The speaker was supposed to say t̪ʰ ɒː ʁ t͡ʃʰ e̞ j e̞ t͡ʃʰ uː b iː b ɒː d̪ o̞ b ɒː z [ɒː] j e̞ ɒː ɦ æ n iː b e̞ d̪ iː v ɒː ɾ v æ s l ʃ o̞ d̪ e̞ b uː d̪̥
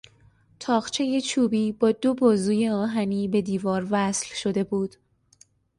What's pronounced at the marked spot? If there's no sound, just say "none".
uː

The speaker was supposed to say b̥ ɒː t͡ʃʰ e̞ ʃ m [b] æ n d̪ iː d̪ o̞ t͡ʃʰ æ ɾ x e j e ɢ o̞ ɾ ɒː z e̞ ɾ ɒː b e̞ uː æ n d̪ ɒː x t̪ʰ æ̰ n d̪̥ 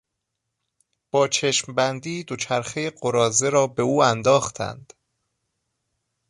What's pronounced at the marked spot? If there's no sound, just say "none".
b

